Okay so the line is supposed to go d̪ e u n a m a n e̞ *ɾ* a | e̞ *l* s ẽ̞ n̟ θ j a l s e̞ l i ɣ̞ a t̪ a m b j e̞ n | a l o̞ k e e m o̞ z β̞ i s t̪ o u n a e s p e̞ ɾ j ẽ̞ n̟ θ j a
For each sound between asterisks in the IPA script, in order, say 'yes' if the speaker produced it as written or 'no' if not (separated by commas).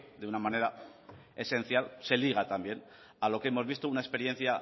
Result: yes, no